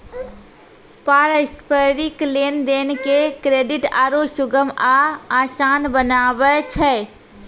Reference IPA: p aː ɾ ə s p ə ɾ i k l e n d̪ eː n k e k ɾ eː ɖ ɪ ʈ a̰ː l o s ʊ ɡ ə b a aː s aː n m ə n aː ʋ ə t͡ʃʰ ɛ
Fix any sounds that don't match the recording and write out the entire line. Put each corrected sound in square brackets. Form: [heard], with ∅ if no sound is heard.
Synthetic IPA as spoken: p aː ɾ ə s p ə ɾ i k l e n d̪ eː n k e k ɾ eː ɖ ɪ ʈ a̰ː [ɾ] o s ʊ ɡ ə [m] a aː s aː n [b] ə n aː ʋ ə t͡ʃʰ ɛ